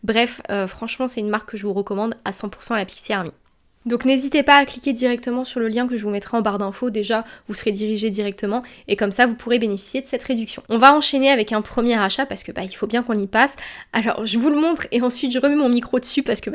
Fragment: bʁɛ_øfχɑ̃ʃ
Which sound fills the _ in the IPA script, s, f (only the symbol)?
f